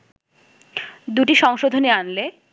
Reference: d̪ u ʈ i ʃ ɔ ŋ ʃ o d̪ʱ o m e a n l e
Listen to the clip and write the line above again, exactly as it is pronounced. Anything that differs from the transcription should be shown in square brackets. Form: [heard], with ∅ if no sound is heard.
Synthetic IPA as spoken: d̪ u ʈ i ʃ ɔ ŋ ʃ o d̪ʱ o [n] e a n l e